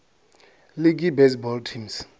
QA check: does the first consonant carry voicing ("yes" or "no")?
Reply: yes